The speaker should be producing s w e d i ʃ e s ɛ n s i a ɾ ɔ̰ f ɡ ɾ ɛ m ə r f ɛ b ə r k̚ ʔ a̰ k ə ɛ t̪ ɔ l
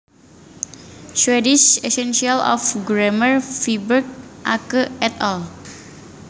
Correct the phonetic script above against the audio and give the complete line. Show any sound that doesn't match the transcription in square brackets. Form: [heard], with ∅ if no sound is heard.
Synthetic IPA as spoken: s w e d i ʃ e s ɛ n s i a [l] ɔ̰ f ɡ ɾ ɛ m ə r f [i] b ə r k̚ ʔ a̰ k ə ɛ t̪ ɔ l